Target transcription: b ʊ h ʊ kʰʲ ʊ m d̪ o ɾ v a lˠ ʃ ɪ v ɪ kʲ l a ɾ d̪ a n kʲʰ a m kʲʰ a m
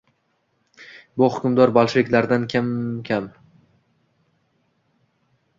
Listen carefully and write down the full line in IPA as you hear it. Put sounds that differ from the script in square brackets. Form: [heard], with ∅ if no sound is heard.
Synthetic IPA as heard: b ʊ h ʊ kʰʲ ʊ m d̪ [ɒ] ɾ [b] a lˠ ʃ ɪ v ɪ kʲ l a ɾ d̪ a n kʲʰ a m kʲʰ a m